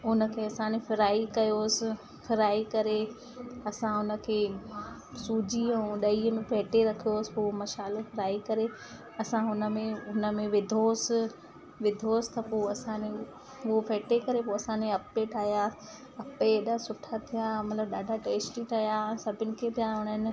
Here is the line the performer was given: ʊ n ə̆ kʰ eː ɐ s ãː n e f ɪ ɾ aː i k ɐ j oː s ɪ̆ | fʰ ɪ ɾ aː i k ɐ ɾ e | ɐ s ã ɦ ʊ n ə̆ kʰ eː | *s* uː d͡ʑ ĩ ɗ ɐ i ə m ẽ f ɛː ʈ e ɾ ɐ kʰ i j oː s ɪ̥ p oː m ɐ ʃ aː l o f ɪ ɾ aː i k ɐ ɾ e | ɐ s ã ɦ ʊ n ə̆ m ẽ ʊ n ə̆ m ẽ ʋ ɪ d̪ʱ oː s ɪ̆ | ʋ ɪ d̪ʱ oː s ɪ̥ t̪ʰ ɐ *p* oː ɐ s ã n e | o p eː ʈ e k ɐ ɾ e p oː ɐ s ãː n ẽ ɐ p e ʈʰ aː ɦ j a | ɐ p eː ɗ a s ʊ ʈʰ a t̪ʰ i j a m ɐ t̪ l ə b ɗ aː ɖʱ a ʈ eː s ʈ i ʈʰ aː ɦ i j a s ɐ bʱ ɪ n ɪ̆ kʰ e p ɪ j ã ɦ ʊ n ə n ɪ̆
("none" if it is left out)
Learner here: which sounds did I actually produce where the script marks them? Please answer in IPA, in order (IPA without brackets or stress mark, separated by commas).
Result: s, p